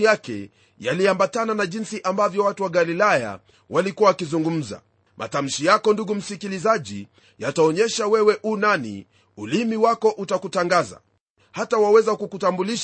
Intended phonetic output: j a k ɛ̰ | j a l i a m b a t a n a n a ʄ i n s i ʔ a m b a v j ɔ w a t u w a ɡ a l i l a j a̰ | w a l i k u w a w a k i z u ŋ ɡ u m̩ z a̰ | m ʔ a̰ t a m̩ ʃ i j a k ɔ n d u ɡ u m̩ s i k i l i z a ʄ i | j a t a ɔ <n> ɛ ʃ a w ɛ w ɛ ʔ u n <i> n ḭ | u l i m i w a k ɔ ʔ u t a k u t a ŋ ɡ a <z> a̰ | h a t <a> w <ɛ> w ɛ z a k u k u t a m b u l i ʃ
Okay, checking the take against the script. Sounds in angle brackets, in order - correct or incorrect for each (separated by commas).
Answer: incorrect, incorrect, correct, correct, incorrect